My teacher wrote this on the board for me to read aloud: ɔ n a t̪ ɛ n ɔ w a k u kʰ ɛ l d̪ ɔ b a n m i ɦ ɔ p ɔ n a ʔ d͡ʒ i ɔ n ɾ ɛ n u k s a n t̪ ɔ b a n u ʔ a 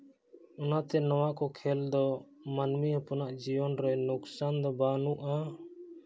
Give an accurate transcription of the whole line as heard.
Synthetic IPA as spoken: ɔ n a t̪ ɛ n ɔ w a k ɔ kʰ ɛ l d̪ ɔ m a n m i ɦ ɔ p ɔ n a ʔ d͡ʒ i ɔ n ɾ ɛ n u k s a n d̪ ɔ b a n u ʔ a